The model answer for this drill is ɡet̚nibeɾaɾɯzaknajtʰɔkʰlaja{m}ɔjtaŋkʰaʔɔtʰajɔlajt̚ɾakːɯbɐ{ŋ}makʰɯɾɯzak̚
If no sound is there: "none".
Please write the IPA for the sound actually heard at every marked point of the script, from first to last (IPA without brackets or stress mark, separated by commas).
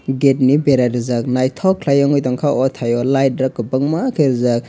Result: ŋ, ŋ